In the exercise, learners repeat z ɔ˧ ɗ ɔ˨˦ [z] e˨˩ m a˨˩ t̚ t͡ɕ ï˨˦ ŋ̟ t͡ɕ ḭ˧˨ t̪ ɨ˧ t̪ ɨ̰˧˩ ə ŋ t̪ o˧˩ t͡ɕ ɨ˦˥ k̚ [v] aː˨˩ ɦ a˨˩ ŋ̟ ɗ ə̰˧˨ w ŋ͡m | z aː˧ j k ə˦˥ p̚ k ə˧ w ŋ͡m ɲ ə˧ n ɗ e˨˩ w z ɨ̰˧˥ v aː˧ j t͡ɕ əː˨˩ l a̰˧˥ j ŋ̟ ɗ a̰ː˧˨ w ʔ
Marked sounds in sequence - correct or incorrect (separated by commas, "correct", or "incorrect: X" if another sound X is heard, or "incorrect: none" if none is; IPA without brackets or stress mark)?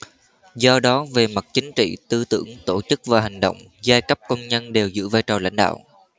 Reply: incorrect: v, correct